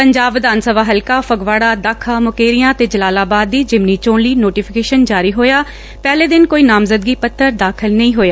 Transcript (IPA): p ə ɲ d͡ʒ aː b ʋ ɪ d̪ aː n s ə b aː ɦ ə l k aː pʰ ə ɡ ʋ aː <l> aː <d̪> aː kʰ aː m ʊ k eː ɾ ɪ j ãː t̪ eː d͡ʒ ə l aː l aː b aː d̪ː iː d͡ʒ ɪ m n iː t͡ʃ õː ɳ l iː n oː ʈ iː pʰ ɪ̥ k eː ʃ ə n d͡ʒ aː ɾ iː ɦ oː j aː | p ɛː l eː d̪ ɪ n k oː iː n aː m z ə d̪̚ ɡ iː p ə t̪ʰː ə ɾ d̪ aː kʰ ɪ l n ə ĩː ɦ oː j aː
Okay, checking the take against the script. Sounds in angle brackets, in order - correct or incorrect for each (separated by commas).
incorrect, correct